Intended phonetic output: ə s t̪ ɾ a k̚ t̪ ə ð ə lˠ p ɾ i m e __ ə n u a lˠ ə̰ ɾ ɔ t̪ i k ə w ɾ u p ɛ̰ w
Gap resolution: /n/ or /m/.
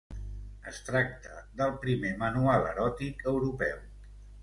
m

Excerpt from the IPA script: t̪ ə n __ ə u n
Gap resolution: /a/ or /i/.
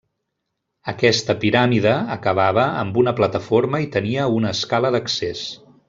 i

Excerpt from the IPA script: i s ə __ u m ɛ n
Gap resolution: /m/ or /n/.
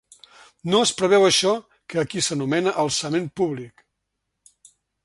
n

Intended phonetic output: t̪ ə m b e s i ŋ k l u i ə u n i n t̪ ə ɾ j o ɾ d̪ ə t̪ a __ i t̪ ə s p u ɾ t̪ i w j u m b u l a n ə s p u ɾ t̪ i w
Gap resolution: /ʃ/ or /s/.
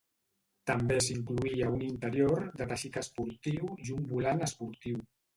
ʃ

